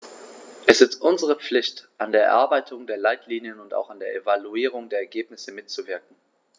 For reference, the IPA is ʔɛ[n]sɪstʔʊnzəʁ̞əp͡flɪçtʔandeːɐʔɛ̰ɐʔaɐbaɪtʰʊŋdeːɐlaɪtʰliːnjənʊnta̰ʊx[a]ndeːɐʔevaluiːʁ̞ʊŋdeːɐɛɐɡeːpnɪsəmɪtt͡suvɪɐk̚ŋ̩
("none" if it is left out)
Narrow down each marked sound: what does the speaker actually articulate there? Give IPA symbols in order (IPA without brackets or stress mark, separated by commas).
none, a